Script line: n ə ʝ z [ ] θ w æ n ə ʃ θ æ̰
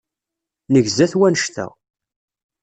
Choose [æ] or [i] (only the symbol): æ